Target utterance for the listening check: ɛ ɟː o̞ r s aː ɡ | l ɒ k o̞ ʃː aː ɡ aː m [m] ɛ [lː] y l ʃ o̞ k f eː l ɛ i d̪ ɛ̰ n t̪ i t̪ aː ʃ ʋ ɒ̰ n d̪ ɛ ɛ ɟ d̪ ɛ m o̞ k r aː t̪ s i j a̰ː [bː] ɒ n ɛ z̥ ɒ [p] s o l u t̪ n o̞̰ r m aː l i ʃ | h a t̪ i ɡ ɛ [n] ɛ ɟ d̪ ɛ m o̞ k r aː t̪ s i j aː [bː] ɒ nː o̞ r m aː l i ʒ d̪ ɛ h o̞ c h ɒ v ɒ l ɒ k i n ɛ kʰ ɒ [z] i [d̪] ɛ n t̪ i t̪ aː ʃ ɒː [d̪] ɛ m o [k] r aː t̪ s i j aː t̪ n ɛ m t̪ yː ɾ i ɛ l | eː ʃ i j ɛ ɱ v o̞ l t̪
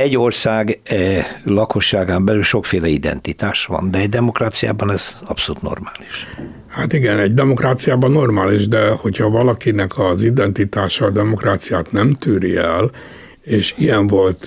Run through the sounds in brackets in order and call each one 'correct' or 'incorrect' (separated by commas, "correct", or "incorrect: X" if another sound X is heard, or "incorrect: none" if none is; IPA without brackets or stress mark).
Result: incorrect: b, incorrect: l, incorrect: b, correct, correct, incorrect: b, correct, correct, correct, correct